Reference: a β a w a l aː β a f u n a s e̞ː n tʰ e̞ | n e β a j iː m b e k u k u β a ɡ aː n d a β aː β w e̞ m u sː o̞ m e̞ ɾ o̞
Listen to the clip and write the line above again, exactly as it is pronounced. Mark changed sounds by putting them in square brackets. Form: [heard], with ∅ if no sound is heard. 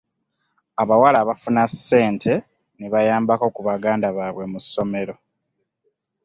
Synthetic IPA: a β a w a l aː β a f u n a s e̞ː n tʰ e̞ | n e β a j [aː] m b [a] k [o] k u β a ɡ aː n d a β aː β w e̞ m u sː o̞ m e̞ ɾ o̞